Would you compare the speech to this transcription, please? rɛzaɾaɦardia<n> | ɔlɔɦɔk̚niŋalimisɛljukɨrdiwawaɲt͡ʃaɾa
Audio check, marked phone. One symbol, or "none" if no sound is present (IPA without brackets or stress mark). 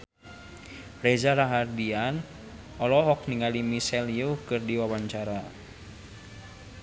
n